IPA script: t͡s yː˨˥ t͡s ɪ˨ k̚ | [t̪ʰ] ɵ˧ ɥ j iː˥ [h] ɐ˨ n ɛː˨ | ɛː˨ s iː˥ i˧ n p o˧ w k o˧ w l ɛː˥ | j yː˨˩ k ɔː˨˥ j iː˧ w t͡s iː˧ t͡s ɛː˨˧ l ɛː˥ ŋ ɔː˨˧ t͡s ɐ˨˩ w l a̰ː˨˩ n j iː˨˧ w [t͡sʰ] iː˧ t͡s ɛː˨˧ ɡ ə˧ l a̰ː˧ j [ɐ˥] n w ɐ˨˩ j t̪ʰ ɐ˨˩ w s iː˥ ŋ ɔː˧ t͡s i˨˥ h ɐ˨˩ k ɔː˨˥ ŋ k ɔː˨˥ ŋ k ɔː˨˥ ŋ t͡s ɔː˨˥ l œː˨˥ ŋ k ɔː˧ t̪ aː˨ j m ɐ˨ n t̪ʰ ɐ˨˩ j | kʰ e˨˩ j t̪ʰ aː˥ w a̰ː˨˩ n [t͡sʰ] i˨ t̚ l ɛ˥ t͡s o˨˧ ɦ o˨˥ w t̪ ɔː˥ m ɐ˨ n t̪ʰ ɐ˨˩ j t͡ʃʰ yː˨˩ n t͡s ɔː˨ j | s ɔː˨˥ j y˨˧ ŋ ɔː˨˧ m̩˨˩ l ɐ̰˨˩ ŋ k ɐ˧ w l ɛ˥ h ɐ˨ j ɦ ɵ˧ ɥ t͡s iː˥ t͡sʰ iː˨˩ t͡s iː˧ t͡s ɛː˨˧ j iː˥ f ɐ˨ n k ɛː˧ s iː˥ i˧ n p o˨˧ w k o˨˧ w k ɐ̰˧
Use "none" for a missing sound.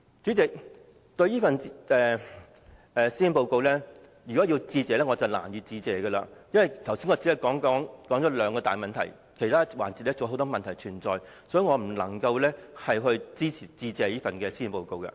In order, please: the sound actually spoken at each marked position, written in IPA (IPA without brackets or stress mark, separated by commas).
t̪, f, t͡s, ɐ˥, t͡s